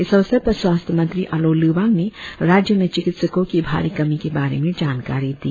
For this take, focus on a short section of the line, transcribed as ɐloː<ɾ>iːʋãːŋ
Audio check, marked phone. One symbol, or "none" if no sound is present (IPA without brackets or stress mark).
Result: l